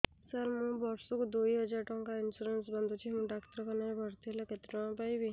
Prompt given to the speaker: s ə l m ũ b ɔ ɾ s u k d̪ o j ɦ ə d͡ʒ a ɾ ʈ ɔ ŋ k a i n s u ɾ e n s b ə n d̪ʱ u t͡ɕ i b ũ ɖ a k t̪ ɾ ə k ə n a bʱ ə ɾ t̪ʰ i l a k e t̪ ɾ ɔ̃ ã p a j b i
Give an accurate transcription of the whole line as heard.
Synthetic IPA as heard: s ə ɾ m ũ b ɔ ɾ s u k d̪ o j ɦ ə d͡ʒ a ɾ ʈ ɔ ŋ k a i n s u ɾ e n s b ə n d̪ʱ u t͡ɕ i m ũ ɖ a k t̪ ɾ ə k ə n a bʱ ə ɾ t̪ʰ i l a k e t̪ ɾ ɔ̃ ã p a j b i